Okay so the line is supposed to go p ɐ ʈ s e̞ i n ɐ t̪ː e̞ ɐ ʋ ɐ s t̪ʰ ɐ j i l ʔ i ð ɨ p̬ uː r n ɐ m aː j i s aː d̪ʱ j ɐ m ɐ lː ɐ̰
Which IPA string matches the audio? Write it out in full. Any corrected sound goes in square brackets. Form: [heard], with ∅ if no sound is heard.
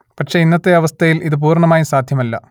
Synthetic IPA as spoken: p ɐ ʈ [ʂ] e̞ i [nː] ɐ t̪ː e̞ ɐ ʋ ɐ s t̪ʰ ɐ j i l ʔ i ð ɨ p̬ uː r [ɳ] ɐ m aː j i s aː d̪ʱ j ɐ m ɐ lː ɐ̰

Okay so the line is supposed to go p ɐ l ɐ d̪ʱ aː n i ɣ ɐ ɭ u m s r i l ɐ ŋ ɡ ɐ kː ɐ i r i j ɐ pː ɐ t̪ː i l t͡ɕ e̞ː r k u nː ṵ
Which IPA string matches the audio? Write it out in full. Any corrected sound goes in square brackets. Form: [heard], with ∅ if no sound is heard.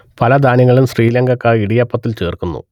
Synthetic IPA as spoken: p ɐ l ɐ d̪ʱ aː n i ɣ ɐ ɭ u m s r [iː] l ɐ ŋ ɡ ɐ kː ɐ i [ɽ] i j ɐ pː ɐ t̪ː i l t͡ɕ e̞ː r k u nː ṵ

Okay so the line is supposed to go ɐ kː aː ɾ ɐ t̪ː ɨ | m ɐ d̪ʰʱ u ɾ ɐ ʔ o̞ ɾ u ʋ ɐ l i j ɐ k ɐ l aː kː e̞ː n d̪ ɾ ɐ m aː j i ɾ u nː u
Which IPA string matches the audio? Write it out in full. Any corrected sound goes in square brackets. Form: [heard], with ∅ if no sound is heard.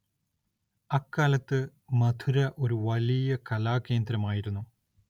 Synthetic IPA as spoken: ɐ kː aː [l] ɐ t̪ː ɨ | m ɐ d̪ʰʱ u ɾ ɐ ʔ o̞ ɾ u ʋ ɐ l i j ɐ k ɐ l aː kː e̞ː n d̪ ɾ ɐ m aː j i ɾ u nː u

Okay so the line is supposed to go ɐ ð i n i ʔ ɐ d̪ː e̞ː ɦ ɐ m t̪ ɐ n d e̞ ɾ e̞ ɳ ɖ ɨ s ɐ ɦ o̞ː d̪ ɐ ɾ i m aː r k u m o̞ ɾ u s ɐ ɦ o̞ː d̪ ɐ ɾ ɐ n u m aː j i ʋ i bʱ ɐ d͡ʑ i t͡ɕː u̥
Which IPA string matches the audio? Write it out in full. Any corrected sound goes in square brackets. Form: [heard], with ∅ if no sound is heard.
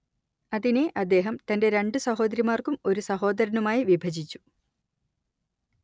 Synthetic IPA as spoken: ɐ ð i n [e] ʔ ɐ d̪ː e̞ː ɦ ɐ m t̪ ɐ n d e̞ ɾ e̞ ɳ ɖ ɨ s ɐ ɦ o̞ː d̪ ɐ ɾ i m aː r k u m o̞ ɾ u s ɐ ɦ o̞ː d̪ ɐ ɾ ɐ n u m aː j i ʋ i bʱ ɐ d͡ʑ i t͡ɕː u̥

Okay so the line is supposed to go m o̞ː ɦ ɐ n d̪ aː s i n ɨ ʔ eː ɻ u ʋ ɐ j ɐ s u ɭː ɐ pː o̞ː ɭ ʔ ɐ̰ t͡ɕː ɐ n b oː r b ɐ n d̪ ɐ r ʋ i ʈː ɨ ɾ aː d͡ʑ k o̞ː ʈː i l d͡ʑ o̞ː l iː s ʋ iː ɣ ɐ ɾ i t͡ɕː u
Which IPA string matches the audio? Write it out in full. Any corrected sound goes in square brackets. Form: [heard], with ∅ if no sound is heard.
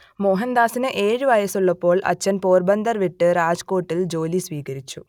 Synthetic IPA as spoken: m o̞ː ɦ ɐ n d̪ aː s i n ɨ ʔ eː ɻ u ʋ ɐ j ɐ s u ɭː ɐ pː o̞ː ɭ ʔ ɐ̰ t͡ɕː ɐ n [p] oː r b ɐ n d̪ ɐ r ʋ i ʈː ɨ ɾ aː d͡ʑ k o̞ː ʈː i l d͡ʑ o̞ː l [i] s ʋ iː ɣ ɐ ɾ i t͡ɕː u

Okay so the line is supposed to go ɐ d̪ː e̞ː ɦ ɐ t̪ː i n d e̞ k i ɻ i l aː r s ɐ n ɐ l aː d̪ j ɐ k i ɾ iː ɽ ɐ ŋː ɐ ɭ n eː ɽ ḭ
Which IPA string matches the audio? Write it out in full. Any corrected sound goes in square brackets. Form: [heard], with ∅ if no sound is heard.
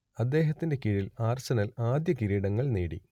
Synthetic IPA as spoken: ɐ d̪ː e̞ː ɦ ɐ t̪ː i n d e̞ k i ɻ i l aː r s ɐ n ɐ l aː d̪ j ɐ k i ɾ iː ɽ ɐ ŋː ɐ ɭ n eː ɽ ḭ

